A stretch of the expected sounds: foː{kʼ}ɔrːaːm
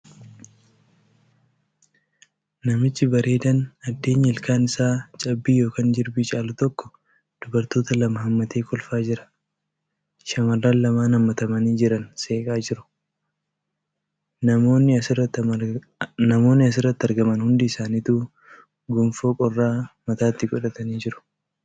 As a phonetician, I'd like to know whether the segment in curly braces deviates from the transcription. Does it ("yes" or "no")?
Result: no